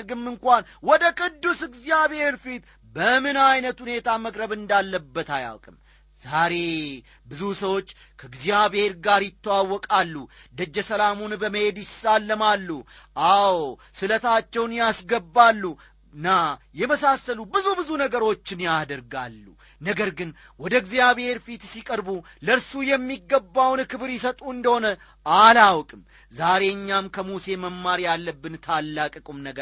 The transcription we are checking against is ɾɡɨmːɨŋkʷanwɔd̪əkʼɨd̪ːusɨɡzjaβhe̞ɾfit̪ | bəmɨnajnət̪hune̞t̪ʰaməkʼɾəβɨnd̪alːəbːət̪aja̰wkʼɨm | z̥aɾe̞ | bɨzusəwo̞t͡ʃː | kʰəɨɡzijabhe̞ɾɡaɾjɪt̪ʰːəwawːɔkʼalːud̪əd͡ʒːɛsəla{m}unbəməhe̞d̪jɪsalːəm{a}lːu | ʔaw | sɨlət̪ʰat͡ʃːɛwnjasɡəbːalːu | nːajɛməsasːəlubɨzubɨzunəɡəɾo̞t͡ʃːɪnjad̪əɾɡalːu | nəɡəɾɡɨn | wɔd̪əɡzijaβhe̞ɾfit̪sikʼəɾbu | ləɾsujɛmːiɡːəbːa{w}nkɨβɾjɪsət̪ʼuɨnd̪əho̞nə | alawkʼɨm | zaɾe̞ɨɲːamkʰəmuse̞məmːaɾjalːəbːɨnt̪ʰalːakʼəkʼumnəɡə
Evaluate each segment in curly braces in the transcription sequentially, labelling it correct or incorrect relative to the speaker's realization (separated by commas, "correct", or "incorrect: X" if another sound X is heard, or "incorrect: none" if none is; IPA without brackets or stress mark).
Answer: correct, correct, correct